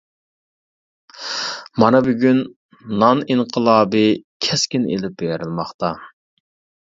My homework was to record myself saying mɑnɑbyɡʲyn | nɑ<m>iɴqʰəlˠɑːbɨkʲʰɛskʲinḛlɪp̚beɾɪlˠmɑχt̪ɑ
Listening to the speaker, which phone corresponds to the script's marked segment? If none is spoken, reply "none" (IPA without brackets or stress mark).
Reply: n